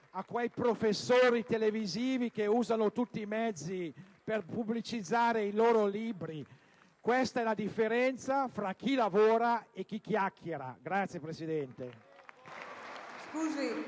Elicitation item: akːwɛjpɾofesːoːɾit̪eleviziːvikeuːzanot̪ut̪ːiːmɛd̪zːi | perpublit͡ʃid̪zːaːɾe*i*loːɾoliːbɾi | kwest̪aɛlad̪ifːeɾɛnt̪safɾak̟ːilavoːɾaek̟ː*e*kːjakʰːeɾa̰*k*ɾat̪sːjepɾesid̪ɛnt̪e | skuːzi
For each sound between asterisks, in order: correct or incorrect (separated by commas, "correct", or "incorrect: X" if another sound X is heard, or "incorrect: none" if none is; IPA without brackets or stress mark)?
correct, incorrect: i, incorrect: ɡ